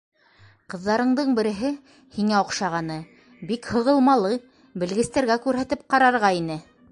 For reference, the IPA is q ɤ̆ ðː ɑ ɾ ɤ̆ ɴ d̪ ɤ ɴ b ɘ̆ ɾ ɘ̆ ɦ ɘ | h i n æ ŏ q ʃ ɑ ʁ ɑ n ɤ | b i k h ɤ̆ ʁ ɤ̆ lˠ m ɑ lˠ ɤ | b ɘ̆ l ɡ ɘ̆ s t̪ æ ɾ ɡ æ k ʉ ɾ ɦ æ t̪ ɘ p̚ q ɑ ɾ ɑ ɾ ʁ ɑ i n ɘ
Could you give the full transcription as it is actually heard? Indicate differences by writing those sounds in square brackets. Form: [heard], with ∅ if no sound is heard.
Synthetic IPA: q ɤ̆ ðː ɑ ɾ ɤ̆ ɴ d̪ ɤ ɴ b ɘ̆ ɾ ɘ̆ ɦ ɘ | h i [ŋ] æ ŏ q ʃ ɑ ʁ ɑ n ɤ | b i k h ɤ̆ ʁ ɤ̆ lˠ m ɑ lˠ ɤ | b ɘ̆ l ɡ ɘ̆ s t̪ æ ɾ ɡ æ k ʉ ɾ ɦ æ t̪ ɘ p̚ q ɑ ɾ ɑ ɾ ʁ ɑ i n ɘ